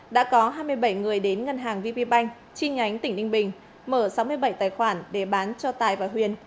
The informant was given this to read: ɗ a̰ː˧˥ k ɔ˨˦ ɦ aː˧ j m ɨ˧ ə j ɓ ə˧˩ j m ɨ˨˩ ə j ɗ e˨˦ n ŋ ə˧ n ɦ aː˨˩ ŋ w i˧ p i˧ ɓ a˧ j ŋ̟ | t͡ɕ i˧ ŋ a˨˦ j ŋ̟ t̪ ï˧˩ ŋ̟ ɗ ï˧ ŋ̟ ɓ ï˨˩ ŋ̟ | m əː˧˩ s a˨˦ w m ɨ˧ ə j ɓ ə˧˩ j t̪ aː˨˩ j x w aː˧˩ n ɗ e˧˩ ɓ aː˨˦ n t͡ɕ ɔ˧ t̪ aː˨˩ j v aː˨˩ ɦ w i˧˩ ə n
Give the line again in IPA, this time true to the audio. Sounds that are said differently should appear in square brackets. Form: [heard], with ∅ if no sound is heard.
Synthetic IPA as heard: ɗ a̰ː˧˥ k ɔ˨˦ ɦ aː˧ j m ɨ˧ ə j ɓ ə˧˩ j [ŋ] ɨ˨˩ ə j ɗ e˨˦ n ŋ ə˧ n ɦ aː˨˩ ŋ [v] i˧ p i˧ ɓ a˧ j ŋ̟ | t͡ɕ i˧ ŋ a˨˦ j ŋ̟ t̪ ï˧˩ ŋ̟ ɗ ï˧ ŋ̟ ɓ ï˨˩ ŋ̟ | m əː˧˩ s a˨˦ w m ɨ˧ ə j ɓ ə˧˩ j t̪ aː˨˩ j x w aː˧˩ n ɗ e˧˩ ɓ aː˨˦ n t͡ɕ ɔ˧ t̪ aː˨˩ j v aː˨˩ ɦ w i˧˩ ə n